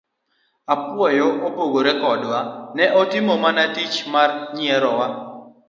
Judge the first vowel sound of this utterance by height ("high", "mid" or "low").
low